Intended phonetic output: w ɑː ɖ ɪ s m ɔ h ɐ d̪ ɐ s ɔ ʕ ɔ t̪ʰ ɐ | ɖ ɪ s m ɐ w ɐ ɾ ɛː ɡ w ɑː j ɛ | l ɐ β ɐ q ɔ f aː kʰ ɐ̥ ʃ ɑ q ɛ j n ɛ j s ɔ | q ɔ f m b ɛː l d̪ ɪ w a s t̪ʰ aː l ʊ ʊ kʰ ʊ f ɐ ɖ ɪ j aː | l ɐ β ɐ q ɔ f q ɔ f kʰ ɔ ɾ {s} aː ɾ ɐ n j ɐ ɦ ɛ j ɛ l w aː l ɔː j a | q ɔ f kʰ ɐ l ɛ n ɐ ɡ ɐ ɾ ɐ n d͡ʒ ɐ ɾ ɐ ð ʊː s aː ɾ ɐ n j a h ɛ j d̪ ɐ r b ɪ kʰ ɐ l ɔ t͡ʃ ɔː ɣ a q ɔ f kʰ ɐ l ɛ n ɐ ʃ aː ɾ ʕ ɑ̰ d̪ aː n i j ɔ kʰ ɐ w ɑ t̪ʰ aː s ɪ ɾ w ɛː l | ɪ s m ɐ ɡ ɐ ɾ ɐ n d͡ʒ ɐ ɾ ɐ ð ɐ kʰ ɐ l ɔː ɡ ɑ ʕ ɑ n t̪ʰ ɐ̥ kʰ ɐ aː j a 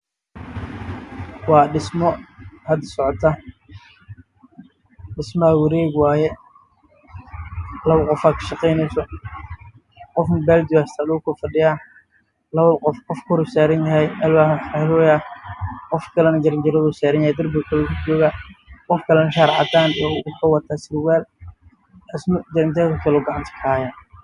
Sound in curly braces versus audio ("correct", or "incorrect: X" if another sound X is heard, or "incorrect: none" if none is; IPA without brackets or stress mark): correct